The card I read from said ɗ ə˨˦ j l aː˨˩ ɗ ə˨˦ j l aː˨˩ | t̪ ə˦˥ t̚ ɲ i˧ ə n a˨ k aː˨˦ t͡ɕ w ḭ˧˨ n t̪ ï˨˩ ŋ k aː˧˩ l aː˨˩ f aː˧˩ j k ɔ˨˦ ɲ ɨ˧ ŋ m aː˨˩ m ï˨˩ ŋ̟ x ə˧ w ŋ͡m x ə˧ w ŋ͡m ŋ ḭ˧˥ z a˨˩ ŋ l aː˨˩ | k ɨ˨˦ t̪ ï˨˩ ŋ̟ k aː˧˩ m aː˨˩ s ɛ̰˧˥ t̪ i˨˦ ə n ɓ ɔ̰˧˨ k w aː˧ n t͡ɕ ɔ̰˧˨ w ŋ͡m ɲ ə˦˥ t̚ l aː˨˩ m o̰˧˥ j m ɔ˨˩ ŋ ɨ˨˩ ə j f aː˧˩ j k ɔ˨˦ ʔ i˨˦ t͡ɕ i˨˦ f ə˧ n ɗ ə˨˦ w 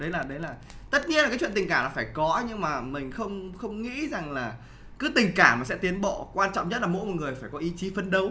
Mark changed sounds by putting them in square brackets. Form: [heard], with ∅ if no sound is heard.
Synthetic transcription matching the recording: ɗ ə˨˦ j l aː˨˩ ɗ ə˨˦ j l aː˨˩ | t̪ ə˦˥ t̚ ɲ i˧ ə n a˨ k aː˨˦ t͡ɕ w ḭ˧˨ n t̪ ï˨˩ ŋ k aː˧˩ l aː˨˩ f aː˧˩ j k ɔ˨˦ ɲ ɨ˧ ŋ m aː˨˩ m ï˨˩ ŋ̟ x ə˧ w ŋ͡m x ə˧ w ŋ͡m ŋ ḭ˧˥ z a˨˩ ŋ l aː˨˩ | k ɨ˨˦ t̪ ï˨˩ ŋ̟ k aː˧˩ m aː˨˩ s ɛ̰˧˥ t̪ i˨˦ ə n ɓ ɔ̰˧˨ k w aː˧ n t͡ɕ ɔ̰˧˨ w ŋ͡m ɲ ə˦˥ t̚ l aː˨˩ m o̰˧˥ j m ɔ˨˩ ŋ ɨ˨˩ ə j f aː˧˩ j k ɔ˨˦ ʔ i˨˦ t͡ɕ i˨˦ f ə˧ n ɗ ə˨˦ w